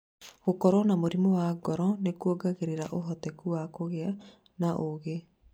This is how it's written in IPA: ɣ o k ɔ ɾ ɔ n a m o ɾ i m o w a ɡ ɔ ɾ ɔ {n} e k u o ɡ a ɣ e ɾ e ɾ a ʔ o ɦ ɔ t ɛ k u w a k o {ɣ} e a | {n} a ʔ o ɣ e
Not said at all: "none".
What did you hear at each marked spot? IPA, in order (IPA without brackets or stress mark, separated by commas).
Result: n, ɣ, n